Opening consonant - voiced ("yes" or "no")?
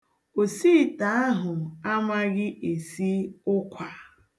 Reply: no